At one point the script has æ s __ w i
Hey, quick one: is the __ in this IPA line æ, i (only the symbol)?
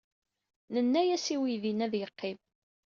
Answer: i